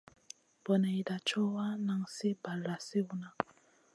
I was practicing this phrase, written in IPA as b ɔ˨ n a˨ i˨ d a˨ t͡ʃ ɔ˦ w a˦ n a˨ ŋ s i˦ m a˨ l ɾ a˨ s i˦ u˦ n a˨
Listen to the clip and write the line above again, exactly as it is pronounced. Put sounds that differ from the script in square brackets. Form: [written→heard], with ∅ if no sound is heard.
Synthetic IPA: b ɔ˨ n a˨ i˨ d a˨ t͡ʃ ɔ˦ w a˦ n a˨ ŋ s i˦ [m→b] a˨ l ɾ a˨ s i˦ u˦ n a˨